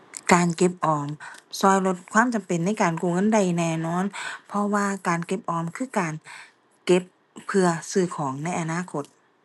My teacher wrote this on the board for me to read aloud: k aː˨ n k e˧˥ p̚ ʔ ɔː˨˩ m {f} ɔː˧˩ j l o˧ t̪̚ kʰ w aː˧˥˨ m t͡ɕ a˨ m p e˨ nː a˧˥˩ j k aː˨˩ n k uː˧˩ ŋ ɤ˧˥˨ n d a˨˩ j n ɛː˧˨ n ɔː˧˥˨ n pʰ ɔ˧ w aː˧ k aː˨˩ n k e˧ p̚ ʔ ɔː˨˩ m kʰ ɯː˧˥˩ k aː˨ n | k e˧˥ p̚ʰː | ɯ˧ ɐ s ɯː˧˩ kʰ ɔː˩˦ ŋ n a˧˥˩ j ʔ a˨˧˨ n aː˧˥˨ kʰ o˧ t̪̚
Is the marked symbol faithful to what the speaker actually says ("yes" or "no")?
no